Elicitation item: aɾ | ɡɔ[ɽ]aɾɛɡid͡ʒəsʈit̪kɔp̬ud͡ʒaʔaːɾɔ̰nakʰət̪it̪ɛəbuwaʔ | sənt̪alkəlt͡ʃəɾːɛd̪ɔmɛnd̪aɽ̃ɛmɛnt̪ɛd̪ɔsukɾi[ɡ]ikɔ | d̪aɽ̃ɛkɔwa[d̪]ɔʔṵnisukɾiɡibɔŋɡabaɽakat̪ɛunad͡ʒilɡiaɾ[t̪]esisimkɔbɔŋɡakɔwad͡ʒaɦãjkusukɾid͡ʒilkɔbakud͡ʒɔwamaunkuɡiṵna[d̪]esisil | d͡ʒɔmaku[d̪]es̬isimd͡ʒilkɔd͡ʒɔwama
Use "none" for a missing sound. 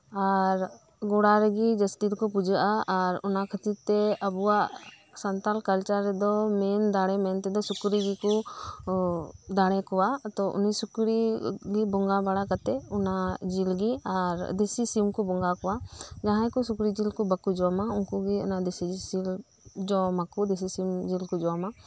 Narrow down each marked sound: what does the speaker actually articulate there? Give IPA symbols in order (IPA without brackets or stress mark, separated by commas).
ɽ, ɡ, t̪, d̪, d̪, d̪